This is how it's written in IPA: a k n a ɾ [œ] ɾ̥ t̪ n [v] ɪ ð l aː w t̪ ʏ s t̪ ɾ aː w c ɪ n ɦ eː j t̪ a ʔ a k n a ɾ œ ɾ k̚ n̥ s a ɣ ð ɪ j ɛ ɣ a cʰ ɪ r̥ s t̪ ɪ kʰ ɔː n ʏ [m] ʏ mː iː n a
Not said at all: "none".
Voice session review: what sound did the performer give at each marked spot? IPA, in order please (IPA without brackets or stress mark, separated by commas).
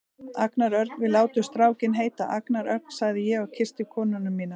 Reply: œ, v, n